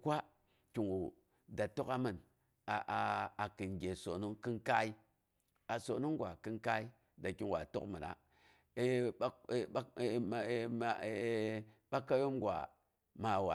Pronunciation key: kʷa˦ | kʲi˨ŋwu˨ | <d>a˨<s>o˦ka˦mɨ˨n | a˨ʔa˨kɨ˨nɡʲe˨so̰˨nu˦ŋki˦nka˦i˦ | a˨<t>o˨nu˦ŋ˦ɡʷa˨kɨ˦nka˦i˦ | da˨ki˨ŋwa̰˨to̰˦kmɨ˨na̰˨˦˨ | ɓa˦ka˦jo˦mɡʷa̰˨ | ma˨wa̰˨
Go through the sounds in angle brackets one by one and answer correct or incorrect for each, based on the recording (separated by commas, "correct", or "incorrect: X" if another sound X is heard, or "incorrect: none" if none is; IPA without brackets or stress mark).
correct, incorrect: t, incorrect: s